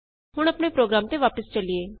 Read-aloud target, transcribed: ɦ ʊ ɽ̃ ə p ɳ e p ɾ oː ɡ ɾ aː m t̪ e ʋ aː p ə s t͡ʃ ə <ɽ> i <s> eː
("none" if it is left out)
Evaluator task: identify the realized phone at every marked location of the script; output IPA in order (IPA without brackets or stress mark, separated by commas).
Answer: l, none